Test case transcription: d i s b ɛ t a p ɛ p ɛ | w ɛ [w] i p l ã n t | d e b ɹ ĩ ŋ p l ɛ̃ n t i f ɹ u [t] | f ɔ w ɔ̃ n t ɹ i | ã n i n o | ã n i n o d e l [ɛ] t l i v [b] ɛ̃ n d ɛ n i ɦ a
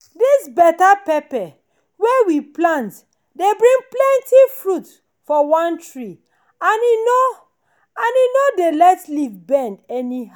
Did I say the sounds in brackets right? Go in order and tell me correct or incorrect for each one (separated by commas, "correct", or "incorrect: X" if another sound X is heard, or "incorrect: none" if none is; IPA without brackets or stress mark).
correct, correct, correct, correct